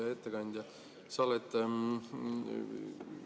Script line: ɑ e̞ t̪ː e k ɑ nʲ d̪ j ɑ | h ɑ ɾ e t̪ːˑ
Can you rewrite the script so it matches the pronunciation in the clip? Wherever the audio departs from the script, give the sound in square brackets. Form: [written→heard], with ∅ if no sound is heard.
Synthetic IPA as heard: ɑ e̞ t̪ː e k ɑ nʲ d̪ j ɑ | [h→s] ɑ [ɾ→l] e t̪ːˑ